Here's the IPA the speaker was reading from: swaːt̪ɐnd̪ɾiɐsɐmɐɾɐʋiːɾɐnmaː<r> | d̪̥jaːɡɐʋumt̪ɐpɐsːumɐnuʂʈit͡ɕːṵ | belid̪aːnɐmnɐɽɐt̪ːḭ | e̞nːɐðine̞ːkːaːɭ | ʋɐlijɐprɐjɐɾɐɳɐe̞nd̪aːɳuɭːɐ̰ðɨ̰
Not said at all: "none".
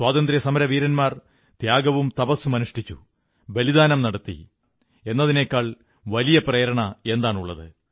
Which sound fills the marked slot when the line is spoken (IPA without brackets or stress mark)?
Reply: r